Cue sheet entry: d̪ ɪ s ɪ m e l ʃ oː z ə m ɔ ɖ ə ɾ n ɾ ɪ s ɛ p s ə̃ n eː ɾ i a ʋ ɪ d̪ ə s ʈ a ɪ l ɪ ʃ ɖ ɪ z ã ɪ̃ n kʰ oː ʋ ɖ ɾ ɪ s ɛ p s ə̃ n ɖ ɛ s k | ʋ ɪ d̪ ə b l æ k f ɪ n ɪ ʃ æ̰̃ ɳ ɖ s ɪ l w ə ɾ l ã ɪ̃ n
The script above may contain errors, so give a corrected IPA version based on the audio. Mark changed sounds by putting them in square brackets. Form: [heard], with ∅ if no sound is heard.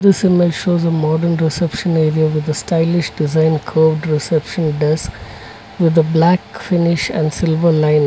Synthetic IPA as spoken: d̪ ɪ s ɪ m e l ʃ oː z ə m ɔ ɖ ə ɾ n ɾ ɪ s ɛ p [ʃ] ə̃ n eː ɾ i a ʋ ɪ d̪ ə s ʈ a ɪ l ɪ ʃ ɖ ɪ z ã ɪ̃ n kʰ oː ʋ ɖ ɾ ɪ s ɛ p [ʃ] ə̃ n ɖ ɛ s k | ʋ ɪ d̪ ə b l æ k f ɪ n ɪ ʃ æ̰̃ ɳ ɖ s ɪ l [ʋ] ə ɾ l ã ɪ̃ n